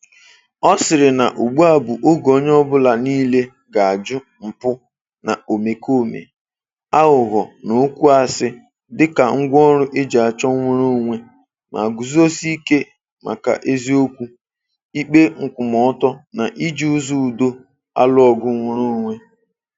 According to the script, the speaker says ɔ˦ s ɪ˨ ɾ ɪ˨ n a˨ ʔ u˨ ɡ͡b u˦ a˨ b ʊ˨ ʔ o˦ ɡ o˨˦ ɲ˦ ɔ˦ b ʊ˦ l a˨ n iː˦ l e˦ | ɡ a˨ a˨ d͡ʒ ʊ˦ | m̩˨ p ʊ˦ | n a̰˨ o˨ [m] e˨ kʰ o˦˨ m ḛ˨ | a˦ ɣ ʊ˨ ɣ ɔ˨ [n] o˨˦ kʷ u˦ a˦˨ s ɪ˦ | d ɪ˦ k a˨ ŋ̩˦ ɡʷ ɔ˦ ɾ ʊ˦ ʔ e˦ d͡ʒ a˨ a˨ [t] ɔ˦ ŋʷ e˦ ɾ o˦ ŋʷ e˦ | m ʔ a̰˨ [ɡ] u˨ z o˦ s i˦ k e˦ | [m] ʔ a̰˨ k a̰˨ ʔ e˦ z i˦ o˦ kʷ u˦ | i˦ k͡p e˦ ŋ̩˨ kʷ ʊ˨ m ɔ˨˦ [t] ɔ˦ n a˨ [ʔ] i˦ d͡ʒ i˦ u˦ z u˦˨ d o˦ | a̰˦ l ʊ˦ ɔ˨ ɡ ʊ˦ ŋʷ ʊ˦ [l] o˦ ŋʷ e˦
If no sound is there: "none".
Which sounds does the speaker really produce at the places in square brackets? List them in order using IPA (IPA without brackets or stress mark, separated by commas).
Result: m, n, t͡ʃ, ɡ, m, t, ʔ, ɾ